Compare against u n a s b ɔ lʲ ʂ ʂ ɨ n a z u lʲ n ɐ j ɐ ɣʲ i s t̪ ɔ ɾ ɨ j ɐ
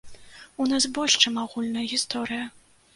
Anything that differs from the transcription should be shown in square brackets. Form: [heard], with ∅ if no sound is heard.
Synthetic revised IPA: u n a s b ɔ lʲ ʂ [t͡ʂ] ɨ [m] a [ɣ] u lʲ n ɐ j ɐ ɣʲ i s t̪ ɔ ɾ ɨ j ɐ